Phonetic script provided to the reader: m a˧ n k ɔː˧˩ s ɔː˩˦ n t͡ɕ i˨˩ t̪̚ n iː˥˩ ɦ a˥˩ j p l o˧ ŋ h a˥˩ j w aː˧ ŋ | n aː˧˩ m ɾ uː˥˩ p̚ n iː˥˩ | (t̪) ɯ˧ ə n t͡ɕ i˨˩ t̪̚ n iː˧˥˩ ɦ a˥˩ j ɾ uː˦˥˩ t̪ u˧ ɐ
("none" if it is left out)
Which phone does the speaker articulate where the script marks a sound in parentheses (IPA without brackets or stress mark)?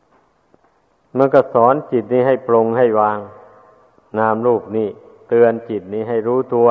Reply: t̪